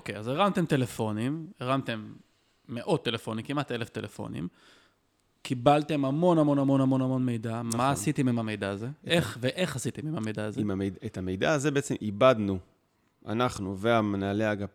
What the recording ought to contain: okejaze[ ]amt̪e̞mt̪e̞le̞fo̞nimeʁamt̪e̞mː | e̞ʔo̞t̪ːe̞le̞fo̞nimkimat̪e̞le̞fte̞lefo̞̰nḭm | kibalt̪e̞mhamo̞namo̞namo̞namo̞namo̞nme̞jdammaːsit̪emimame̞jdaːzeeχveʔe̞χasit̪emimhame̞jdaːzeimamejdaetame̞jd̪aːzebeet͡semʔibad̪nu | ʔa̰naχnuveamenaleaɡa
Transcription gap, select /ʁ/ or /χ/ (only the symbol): ʁ